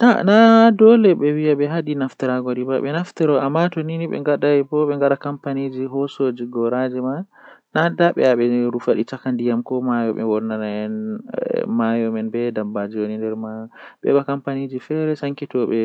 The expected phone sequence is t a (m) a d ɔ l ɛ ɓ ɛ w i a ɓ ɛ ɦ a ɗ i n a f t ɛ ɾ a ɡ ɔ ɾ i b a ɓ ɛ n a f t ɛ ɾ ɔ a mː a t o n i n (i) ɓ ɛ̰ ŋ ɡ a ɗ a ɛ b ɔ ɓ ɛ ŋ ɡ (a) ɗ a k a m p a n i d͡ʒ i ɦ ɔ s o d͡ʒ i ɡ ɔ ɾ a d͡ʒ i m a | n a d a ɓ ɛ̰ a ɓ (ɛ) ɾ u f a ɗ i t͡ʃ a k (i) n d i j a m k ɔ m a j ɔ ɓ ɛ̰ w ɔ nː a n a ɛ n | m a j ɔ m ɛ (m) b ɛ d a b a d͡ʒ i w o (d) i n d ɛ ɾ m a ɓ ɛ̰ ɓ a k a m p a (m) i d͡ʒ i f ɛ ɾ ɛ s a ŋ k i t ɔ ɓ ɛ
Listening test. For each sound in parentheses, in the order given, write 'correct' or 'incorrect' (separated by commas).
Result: incorrect, correct, correct, correct, incorrect, incorrect, incorrect, incorrect